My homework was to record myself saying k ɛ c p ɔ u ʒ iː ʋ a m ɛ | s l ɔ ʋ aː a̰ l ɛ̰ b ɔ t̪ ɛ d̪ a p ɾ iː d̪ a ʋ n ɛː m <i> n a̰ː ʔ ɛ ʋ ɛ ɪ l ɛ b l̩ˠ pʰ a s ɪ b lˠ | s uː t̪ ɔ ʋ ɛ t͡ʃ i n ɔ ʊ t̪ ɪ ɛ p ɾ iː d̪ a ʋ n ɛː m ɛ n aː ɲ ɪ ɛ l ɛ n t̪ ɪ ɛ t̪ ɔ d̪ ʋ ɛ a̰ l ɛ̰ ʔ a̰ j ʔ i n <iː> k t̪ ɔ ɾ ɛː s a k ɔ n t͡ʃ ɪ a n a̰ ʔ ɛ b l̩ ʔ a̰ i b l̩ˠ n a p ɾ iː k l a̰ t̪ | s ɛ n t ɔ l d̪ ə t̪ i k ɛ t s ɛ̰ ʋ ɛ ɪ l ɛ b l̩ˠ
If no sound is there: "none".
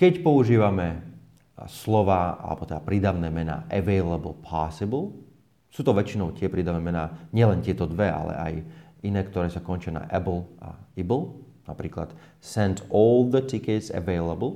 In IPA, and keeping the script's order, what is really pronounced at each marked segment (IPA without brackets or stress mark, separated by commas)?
ɛ, ɛː